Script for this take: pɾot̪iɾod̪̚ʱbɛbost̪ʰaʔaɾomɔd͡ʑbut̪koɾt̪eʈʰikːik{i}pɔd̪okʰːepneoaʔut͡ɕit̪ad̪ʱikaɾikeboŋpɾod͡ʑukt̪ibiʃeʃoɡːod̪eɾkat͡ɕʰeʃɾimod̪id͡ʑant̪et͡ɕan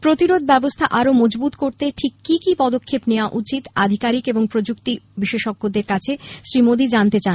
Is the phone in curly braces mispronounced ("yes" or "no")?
no